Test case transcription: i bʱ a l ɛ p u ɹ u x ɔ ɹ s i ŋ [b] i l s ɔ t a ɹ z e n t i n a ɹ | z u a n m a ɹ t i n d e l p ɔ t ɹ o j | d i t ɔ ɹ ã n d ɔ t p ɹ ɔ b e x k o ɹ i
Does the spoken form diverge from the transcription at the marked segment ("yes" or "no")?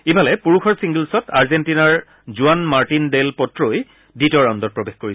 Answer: yes